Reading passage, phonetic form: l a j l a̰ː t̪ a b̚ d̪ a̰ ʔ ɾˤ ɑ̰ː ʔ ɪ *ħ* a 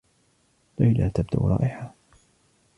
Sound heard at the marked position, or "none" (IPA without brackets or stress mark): ħ